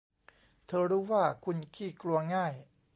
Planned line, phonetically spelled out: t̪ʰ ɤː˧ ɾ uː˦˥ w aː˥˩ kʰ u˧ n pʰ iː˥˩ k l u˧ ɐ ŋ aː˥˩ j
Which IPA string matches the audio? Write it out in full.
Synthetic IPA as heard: t̪ʰ ɤː˧ ɾ uː˦˥ w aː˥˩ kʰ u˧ n kʰ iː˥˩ k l u˧ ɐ ŋ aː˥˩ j